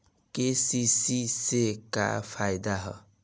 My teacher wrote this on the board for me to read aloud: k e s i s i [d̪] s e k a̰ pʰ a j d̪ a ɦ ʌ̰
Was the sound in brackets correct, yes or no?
no